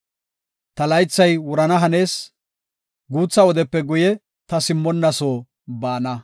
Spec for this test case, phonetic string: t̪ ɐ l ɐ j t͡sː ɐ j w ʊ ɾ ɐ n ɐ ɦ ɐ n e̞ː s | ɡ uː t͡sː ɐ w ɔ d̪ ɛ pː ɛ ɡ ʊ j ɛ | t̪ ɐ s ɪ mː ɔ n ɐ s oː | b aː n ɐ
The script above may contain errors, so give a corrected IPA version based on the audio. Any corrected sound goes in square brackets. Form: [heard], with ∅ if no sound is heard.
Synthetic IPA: t̪ ɐ l ɐ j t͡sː ɐ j w ʊ ɾ ɐ n ɐ ɦ ɐ n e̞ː s | ɡ uː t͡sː ɐ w ɔ d̪ ɛ pː ɛ ɡ ʊ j ɛ | t̪ ɐ s ɪ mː ɔ [nː] ɐ s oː | b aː n ɐ

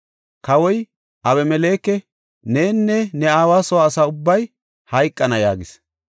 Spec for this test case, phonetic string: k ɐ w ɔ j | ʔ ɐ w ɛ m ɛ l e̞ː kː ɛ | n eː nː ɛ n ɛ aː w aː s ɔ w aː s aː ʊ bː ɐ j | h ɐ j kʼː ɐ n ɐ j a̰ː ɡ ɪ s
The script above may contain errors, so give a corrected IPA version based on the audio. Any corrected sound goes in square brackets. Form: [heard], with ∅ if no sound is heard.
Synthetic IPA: k ɐ w ɔ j | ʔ ɐ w ɛ m ɛ l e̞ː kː ɛ | n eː nː ɛ n ɛ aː w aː s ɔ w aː s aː ʊ bː ɐ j | h ɐ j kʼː ɐ n ɐ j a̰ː ɡ ɪ s

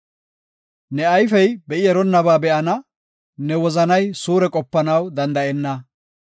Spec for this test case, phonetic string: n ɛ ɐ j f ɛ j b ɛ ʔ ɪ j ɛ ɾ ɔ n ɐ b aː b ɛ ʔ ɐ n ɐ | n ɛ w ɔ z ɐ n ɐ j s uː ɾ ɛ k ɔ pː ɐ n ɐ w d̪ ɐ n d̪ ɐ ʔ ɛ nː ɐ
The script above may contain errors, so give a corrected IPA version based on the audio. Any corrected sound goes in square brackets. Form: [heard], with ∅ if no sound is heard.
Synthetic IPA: n ɛ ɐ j f ɛ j b ɛ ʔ ɪ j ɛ ɾ ɔ [nː] ɐ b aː b ɛ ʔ ɐ n ɐ | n ɛ w ɔ z ɐ n ɐ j s uː ɾ ɛ [kʼ] ɔ pː ɐ n ɐ w d̪ ɐ n d̪ ɐ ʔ ɛ nː ɐ

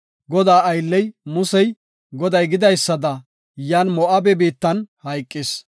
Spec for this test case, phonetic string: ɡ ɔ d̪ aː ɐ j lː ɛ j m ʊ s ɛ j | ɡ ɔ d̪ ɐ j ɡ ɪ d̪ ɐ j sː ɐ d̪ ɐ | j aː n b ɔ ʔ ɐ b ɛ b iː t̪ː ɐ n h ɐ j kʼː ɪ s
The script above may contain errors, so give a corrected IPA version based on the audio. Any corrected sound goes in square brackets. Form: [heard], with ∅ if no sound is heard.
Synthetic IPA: ɡ ɔ d̪ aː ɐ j lː ɛ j m ʊ s ɛ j | ɡ ɔ d̪ ɐ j ɡ ɪ d̪ ɐ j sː ɐ d̪ ɐ | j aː n [m] ɔ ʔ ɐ b ɛ b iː t̪ː ɐ n h ɐ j kʼː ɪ s

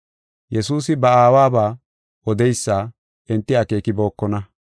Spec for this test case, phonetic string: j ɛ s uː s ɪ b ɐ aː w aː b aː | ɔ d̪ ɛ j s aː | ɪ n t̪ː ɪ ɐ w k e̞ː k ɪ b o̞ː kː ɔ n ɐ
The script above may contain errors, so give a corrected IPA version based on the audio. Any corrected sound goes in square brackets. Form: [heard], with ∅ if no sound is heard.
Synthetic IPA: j ɛ s uː s ɪ b ɐ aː w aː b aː | ɔ d̪ ɛ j [sː] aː | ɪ n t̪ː ɪ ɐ [∅] k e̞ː k ɪ b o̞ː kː ɔ n ɐ

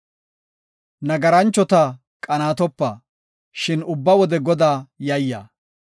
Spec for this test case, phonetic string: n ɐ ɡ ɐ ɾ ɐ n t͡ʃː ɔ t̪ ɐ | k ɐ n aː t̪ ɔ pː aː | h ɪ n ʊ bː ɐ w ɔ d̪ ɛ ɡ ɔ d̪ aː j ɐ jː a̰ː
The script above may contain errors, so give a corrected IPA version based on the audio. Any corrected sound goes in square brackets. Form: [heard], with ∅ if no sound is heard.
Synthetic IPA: n ɐ ɡ ɐ ɾ ɐ n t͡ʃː ɔ t̪ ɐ | [kʼ] ɐ n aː t̪ ɔ pː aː | [ʃ] ɪ n ʊ bː ɐ w ɔ d̪ ɛ ɡ ɔ d̪ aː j ɐ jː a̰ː

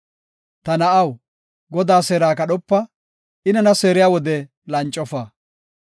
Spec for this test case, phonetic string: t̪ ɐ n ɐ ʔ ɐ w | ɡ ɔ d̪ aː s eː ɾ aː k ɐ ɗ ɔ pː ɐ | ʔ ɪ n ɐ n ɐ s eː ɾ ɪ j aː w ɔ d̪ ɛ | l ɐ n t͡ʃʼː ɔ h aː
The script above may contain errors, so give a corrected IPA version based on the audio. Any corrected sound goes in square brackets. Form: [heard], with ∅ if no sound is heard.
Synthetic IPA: t̪ ɐ n ɐ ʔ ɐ w | ɡ ɔ d̪ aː s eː ɾ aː k ɐ ɗ ɔ pː ɐ | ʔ ɪ n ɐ n ɐ s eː ɾ ɪ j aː w ɔ d̪ ɛ | l ɐ n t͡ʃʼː ɔ [f] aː

